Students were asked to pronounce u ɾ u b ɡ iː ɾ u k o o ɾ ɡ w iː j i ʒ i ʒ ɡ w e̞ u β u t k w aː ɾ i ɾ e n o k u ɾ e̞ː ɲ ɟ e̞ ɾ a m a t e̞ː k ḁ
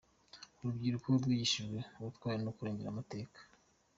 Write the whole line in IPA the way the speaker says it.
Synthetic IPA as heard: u ɾ u b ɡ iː ɾ u k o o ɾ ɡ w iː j i ʃ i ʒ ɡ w e̞ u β u t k w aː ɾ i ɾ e n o k u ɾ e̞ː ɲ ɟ e̞ ɾ a m a t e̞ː k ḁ